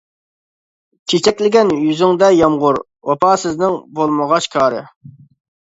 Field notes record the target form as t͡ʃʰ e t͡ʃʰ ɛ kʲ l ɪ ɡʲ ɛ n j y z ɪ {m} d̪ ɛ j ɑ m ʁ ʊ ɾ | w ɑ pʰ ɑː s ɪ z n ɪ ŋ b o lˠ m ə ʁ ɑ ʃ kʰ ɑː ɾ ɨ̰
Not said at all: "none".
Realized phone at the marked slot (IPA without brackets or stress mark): ŋ